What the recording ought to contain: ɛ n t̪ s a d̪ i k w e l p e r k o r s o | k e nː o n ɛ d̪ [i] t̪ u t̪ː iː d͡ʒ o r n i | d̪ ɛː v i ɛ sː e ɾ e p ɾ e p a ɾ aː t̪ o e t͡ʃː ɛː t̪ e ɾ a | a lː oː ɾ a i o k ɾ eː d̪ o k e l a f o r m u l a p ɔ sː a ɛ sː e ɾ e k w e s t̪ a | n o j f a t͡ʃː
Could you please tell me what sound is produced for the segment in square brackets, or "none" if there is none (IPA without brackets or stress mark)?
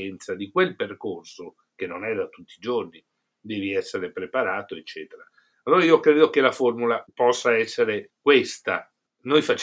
a